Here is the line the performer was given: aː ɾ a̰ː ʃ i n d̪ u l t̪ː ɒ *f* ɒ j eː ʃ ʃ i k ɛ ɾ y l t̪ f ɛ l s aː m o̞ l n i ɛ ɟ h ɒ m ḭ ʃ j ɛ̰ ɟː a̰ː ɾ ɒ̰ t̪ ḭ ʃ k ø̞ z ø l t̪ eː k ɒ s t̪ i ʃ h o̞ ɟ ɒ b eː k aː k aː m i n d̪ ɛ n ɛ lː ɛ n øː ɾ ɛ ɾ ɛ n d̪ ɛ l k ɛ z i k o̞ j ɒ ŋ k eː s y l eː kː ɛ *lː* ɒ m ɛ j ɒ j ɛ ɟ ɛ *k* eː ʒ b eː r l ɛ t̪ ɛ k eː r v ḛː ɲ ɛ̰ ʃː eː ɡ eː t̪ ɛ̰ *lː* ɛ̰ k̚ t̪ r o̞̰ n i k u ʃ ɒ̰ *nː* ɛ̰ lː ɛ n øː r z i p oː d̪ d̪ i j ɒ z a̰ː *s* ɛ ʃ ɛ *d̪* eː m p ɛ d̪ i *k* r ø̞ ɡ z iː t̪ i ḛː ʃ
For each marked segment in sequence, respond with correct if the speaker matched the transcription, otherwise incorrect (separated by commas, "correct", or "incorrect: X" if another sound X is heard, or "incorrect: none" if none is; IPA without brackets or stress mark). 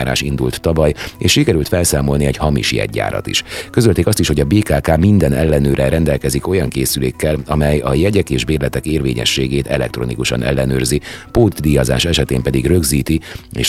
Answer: incorrect: v, incorrect: l, correct, incorrect: l, incorrect: n, incorrect: ʃ, incorrect: t̪, incorrect: ɡ